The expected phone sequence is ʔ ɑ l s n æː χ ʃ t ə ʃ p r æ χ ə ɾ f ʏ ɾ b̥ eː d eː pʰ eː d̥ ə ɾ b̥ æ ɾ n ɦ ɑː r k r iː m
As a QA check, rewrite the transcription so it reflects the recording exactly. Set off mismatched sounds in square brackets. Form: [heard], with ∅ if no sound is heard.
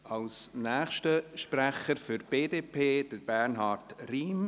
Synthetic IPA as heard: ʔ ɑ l s n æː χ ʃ t ə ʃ p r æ χ ə ɾ f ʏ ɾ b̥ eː d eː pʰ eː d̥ ə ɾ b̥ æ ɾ n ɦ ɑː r [t] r iː m

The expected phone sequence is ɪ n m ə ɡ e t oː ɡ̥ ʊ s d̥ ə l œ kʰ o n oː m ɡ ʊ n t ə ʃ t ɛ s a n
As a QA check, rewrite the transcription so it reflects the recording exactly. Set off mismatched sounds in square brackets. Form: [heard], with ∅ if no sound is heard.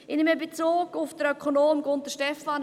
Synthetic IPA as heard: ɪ n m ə [b] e [t͡s] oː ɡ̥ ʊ [f] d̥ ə [ɾ] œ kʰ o n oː m ɡ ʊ n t ə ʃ t ɛ [f] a n

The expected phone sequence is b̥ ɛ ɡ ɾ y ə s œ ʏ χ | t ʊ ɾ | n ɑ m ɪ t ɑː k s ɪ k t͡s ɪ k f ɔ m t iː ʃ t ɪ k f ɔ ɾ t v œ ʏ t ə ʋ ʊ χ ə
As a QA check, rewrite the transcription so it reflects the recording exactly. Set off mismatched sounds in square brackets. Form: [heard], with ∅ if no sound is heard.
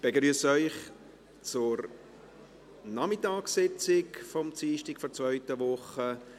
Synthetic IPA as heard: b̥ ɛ ɡ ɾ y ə s œ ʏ χ | [t͡s] ʊ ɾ | n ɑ m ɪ t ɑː k s ɪ [∅] t͡s ɪ k f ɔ m [t͡s] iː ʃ t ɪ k f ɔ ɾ [t͡s] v œ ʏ t ə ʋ ʊ χ ə

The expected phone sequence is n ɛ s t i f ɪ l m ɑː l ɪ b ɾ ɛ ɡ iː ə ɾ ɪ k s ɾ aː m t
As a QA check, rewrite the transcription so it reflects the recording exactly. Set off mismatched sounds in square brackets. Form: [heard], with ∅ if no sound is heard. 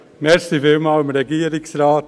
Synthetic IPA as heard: n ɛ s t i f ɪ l m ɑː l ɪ [m] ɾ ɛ ɡ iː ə ɾ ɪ k s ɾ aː [∅] t

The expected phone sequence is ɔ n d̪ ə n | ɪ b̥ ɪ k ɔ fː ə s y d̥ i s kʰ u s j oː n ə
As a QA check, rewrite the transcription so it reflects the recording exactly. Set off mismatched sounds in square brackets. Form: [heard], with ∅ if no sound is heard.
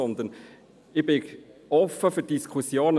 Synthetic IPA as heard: ɔ n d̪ ə n | ɪ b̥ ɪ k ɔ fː ə [f] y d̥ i s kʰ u s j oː n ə

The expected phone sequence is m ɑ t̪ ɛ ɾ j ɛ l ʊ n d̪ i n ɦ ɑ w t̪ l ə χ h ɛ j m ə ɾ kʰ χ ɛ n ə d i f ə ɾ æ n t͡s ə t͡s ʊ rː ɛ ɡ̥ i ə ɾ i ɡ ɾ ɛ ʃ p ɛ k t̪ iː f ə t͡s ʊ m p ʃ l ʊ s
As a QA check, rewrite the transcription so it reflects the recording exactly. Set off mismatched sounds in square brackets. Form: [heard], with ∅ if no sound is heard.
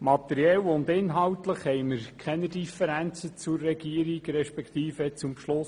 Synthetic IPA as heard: m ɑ t̪ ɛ ɾ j ɛ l ʊ n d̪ [ɪ] n ɦ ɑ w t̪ l ə χ h ɛ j m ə ɾ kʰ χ ɛ n ə d i f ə ɾ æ n t͡s ə t͡s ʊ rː ɛ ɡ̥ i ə ɾ i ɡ ɾ ɛ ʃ p ɛ k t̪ iː f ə t͡s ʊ m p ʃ l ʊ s

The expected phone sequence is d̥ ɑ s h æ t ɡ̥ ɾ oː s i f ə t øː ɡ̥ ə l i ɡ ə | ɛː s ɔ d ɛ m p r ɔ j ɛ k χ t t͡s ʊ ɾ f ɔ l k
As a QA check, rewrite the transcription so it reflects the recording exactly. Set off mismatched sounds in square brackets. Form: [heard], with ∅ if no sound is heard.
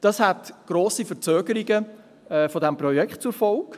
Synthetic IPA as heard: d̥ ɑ s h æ t ɡ̥ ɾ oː s i f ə [t͡s] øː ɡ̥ ə [ɾ] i ɡ ə | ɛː [f] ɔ d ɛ m p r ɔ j ɛ k χ t t͡s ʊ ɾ f ɔ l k

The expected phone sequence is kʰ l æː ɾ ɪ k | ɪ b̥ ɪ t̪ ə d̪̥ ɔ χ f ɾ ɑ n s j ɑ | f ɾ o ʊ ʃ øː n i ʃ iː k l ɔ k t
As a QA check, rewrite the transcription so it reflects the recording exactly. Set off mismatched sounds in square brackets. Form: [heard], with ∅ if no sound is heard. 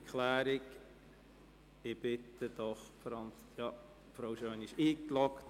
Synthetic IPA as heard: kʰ l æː ɾ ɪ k | ɪ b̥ ɪ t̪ ə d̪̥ ɔ χ f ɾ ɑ n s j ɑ | f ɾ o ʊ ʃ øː n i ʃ iː k l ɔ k t

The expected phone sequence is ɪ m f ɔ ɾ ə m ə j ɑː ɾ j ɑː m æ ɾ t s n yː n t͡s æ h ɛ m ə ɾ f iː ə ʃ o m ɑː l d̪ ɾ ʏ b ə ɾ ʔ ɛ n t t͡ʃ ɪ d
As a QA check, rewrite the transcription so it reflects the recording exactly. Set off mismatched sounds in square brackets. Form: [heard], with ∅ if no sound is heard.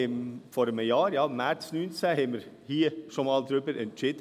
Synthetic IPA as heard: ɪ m f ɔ ɾ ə m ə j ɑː ɾ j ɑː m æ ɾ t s n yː n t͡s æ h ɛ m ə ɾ [h] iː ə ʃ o m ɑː l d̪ ɾ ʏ b ə ɾ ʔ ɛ n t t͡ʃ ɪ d

